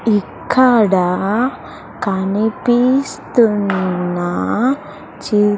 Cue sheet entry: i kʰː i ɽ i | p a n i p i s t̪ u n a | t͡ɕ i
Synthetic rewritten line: i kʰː a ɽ a | k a n i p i s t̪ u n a | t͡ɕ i